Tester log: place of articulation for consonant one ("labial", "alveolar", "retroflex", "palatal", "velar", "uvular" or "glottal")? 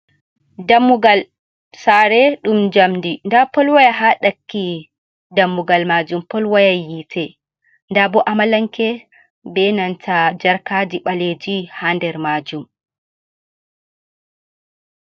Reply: alveolar